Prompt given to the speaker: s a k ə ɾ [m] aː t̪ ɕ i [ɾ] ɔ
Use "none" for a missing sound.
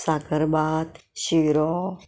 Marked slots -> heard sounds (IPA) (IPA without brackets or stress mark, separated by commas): b, ɾ